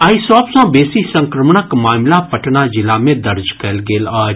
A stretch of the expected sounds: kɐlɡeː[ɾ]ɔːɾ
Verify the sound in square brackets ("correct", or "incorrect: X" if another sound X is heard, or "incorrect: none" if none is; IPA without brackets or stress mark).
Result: incorrect: l